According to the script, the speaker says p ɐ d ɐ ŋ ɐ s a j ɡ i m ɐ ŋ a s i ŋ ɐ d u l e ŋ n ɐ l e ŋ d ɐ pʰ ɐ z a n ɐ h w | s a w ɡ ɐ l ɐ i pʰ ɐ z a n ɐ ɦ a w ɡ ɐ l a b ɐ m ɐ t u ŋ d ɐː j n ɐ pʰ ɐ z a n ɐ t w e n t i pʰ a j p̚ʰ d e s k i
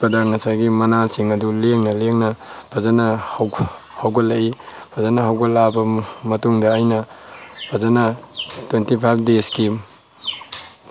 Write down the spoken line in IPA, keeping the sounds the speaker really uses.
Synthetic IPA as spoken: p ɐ d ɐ ŋ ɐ s a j ɡ i m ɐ n a s i ŋ ɐ d u l e ŋ n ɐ l e ŋ n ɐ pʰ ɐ z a n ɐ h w | h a w ɡ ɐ l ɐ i pʰ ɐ z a n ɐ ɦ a w ɡ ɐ l a b ɐ m ɐ t u ŋ d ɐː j n ɐ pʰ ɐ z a n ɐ t w e n t i pʰ a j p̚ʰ d e s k i